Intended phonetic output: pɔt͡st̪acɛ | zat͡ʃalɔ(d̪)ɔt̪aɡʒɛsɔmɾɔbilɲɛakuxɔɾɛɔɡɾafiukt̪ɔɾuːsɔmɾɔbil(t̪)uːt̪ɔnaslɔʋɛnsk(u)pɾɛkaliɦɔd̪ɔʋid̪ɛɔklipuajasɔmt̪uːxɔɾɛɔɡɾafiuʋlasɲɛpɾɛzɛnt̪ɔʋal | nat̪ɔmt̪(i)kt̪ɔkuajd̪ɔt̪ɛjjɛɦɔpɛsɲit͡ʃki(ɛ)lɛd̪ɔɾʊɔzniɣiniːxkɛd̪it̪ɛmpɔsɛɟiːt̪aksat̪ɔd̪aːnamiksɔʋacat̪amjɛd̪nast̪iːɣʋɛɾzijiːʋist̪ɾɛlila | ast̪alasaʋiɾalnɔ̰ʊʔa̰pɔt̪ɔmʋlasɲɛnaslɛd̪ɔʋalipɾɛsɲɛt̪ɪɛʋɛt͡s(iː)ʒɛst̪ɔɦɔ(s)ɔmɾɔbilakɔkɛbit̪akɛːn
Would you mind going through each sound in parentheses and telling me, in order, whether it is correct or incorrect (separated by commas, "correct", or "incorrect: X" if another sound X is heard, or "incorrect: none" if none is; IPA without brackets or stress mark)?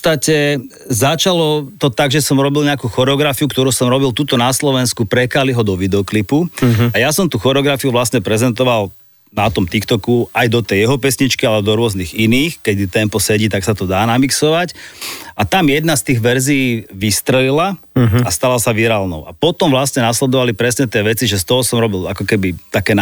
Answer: incorrect: t̪, correct, correct, correct, incorrect: a, incorrect: i, correct